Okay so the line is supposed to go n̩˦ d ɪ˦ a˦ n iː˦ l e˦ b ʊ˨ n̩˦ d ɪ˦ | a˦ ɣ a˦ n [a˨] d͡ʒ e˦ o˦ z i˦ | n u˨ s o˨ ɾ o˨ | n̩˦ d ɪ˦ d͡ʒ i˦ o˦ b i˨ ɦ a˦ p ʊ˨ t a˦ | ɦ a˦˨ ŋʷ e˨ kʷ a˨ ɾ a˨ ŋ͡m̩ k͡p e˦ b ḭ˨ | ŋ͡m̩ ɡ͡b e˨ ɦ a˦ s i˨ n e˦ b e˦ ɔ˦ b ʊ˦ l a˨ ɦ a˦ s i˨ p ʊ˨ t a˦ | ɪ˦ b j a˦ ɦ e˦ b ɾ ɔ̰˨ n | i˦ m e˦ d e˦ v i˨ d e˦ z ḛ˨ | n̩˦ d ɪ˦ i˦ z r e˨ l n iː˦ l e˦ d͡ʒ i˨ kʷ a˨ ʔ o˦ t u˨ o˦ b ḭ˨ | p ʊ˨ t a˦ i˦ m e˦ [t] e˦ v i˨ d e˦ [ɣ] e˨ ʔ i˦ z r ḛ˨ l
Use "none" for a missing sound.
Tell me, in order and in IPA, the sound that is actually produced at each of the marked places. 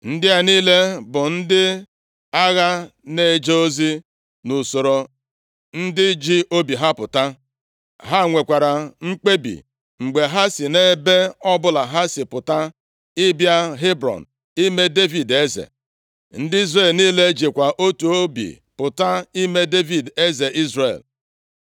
e˨, d, z

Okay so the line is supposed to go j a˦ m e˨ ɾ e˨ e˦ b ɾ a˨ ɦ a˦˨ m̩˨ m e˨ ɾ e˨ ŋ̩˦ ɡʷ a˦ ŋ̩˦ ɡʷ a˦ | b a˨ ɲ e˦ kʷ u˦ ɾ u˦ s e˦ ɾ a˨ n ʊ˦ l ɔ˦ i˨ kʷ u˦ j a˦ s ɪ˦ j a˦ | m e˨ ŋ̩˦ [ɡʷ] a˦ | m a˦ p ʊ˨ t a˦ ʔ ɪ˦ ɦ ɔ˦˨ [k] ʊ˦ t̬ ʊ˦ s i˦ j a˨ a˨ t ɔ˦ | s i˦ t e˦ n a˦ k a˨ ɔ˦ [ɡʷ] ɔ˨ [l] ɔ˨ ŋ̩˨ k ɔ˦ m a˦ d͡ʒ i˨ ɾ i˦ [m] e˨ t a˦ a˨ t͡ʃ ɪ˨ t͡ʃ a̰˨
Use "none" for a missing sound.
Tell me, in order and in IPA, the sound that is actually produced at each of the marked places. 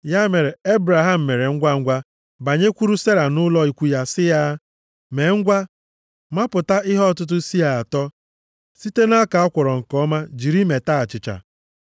ɡʷ, t, kʷ, ɾ, m

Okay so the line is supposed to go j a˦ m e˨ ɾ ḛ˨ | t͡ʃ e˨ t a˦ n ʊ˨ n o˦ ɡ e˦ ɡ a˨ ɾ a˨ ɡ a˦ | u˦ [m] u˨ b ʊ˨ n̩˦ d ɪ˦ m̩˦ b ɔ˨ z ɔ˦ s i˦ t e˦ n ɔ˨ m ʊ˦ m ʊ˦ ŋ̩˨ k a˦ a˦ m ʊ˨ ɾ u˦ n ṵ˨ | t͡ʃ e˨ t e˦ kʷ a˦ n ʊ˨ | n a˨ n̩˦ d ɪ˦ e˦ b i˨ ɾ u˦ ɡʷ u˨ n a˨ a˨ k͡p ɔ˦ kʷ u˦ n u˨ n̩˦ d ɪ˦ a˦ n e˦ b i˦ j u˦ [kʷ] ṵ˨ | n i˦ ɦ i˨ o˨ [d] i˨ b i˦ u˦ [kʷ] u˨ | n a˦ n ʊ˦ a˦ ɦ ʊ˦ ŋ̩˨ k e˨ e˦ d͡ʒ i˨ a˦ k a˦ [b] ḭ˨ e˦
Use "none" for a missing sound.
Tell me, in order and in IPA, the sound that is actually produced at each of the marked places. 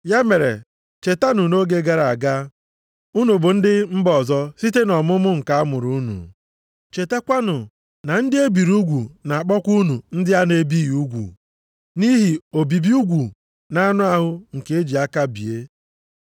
n, ɡʷ, b, ɡʷ, b

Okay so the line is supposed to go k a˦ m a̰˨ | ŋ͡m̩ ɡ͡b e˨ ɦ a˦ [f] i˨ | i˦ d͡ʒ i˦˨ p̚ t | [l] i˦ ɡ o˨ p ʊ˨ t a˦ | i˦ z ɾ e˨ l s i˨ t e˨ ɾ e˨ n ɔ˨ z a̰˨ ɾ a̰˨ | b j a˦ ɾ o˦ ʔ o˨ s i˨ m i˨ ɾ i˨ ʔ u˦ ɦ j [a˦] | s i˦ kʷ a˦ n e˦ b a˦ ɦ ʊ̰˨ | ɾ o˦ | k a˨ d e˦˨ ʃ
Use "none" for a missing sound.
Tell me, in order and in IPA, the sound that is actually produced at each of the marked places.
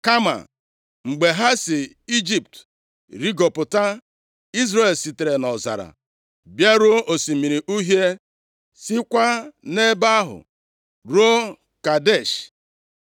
s, ɾ, e˦

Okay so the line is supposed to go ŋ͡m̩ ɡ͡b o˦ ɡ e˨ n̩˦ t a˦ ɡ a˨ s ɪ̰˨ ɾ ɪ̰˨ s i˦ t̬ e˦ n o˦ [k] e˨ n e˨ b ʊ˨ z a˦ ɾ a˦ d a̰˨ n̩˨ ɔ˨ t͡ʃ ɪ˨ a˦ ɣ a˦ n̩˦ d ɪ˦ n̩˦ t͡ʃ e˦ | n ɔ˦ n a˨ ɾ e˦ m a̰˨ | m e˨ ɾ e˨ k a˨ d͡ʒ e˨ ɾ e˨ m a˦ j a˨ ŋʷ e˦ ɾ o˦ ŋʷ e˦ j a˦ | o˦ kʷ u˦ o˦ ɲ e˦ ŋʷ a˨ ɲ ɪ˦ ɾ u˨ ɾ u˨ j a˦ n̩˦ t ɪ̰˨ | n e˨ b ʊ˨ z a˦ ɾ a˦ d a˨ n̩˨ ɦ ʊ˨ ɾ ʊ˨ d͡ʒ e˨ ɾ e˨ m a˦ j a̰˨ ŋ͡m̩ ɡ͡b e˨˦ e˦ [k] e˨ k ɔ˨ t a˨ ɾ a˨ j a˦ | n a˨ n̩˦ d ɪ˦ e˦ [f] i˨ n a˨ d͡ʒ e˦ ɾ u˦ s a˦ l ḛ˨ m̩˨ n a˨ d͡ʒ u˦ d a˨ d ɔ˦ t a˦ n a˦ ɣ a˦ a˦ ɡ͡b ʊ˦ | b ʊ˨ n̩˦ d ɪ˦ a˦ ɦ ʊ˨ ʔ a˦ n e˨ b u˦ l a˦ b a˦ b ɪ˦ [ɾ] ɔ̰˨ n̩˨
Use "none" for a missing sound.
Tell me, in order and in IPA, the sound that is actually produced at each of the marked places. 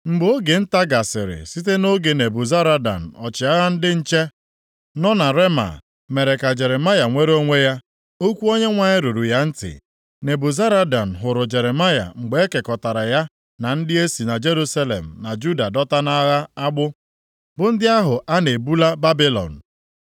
ɡ, k, s, l

